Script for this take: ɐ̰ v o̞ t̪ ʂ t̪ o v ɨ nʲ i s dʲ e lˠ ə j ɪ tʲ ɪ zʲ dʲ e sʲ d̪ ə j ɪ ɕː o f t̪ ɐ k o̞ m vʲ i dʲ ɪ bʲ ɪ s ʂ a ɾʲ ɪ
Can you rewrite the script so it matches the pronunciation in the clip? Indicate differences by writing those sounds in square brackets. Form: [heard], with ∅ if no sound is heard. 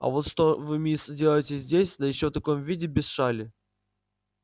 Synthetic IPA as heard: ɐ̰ v o̞ t̪ ʂ t̪ o v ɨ [mʲ] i s dʲ e lˠ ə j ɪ tʲ ɪ zʲ dʲ e sʲ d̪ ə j ɪ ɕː o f t̪ ɐ k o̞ m vʲ i dʲ ɪ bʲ ɪ s ʂ a [lʲ] ɪ